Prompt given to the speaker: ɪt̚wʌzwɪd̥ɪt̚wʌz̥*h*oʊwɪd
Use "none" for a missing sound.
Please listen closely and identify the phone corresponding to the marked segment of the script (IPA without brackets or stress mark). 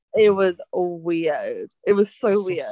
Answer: s